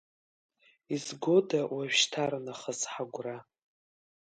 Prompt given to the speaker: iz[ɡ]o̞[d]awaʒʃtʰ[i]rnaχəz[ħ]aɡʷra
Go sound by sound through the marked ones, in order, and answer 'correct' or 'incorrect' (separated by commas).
correct, correct, incorrect, correct